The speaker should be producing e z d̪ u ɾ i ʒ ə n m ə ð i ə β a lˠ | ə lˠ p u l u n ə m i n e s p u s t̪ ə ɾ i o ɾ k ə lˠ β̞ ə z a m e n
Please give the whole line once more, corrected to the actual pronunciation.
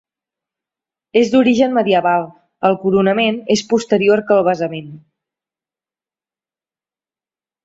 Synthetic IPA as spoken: e z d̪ u ɾ i ʒ ə n m ə ð i ə β a lˠ | ə lˠ k u ɾ u n ə m e n e s p u s t̪ ə ɾ i o ɾ k ə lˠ β̞ ə z ə m e n

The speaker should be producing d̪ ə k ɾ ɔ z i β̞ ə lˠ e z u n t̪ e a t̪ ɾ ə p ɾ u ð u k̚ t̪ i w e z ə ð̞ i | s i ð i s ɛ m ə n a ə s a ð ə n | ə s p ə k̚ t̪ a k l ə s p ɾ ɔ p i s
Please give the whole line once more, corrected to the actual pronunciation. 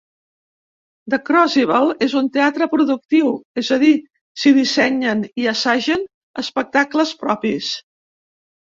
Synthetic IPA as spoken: d̪ ə k ɾ ɔ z i β̞ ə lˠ e z u n t̪ e a t̪ ɾ ə p ɾ u ð u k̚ t̪ i w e z ə ð̞ i | s i ð i s ɛ ɲ ə n i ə s a ʒ ə n | ə s p ə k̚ t̪ a k l ə s p ɾ ɔ p i s

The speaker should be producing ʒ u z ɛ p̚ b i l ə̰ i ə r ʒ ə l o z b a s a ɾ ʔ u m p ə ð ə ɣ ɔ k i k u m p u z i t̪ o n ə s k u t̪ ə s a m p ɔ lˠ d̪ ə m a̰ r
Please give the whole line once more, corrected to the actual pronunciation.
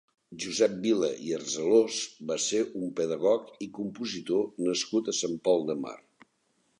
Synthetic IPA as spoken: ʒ u z ɛ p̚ b i l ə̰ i ə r z ə l o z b a s e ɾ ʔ u m p ə ð ə ɣ ɔ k i k u m p u z i t̪ o n ə s k u t̪ ə s a m p ɔ lˠ d̪ ə m a̰ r

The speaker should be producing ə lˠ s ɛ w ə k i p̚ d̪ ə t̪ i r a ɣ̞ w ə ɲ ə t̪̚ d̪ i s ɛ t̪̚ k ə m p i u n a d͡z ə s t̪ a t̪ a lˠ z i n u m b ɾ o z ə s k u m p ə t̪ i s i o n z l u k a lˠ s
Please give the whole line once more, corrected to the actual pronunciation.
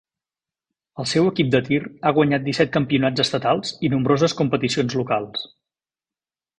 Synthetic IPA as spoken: ə lˠ s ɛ w ə k i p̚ d̪ ə t̪ i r a ɣ̞ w ə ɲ a t̪̚ d̪ i s ɛ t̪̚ k ə m p i u n a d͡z ə s t̪ ə t̪ a lˠ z i n u m b ɾ o z ə s k u m p ə t̪ i s i o n z l u k a lˠ s

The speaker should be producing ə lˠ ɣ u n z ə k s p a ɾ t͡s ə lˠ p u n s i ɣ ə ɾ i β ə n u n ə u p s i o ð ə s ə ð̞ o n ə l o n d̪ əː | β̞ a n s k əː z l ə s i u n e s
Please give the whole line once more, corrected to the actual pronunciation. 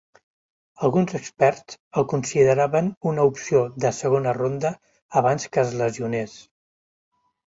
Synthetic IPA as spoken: ə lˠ ɣ u n z ə k s p ɛ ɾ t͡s ə lˠ k u n s i ð ə ɾ a β ə n u n ə u p s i o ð ə s ə ɣ̞ o n ə r o n d̪ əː | β̞ a n s k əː z l ə z i u n e s

